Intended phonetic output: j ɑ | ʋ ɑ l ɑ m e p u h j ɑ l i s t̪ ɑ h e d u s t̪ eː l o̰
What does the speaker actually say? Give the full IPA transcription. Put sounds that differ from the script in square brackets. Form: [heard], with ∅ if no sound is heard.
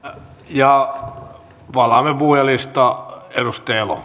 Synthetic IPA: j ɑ | ʋ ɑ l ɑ m e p u h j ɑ l i s t̪ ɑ [∅] e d u s t̪ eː l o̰